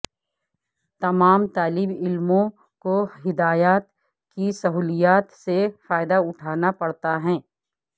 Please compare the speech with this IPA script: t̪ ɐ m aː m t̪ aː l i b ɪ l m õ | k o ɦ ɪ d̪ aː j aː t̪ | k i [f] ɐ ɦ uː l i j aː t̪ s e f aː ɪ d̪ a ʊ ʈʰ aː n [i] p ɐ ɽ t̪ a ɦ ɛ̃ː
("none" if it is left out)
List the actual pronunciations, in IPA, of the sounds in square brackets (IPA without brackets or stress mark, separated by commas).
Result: s, a